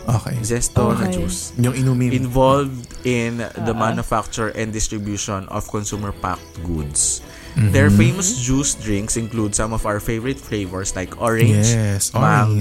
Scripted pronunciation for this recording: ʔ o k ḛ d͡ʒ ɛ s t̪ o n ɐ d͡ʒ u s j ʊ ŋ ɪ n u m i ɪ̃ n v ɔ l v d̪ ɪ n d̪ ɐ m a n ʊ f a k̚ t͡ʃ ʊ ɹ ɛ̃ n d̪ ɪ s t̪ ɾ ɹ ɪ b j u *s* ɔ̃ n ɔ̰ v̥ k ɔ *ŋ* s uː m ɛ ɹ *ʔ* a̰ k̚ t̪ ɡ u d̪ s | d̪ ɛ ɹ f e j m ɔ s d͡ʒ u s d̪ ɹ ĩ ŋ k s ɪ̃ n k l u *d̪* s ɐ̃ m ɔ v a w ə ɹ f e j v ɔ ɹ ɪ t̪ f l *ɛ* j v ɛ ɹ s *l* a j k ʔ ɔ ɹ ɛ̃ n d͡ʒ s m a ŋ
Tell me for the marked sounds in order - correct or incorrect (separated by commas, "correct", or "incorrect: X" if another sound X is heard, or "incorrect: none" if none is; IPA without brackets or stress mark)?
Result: incorrect: ʃ, incorrect: n, incorrect: p, correct, incorrect: e, correct